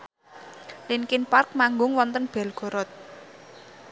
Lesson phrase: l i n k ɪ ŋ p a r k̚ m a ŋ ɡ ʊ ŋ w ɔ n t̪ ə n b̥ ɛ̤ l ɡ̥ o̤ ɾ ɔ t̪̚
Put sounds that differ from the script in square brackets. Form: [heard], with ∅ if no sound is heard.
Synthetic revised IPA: l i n k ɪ [n] p a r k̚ m a ŋ ɡ ʊ ŋ w ɔ n t̪ ə n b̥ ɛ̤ l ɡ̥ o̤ ɾ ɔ t̪̚